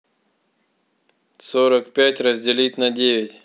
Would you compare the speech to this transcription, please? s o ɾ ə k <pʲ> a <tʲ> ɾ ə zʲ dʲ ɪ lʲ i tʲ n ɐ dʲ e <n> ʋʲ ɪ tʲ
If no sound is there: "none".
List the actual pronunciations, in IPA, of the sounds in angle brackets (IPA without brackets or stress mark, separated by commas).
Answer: pʲ, tʲ, none